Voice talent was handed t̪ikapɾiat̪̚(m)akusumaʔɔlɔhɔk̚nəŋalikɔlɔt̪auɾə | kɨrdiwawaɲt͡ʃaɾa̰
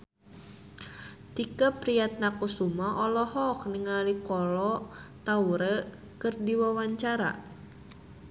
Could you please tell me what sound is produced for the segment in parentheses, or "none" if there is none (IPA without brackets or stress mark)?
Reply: n